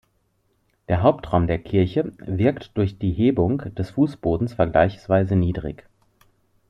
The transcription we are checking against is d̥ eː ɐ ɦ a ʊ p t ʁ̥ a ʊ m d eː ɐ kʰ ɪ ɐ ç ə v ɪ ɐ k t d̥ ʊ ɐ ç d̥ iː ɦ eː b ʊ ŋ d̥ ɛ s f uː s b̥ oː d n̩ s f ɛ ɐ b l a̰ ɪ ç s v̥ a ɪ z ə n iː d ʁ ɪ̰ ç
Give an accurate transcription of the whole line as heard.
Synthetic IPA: d̥ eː ɐ ɦ a ʊ p t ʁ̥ a ʊ m d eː ɐ kʰ ɪ ɐ ç ə v ɪ ɐ k t d̥ ʊ ɐ ç d̥ iː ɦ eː b ʊ ŋ d̥ ɛ s f uː s b̥ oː d n̩ s f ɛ ɐ ɡ l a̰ ɪ ç s v̥ a ɪ z ə n iː d ʁ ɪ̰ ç